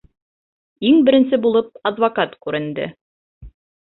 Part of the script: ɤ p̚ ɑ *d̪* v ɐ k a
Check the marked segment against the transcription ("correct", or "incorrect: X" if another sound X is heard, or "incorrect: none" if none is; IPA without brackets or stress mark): correct